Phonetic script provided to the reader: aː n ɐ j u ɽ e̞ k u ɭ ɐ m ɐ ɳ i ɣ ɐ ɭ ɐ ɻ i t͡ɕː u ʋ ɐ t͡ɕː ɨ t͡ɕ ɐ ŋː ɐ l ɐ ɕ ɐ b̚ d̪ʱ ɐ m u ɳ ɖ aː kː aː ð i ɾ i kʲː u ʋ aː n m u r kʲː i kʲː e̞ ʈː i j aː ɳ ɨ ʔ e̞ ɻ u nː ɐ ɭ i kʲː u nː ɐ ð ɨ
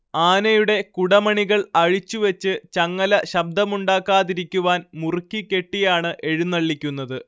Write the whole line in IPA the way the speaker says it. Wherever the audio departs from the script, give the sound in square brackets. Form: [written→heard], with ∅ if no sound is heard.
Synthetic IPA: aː n ɐ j u ɽ e̞ k u [ɭ→ɽ] ɐ m ɐ ɳ i ɣ ɐ ɭ ɐ ɻ i t͡ɕː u ʋ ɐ t͡ɕː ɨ t͡ɕ ɐ ŋː ɐ l ɐ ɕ ɐ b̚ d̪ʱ ɐ m u ɳ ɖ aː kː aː ð i ɾ i kʲː u ʋ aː n m u r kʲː i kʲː e̞ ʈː i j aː ɳ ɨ ʔ e̞ ɻ u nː ɐ [ɭ→ɭː] i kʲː u nː ɐ ð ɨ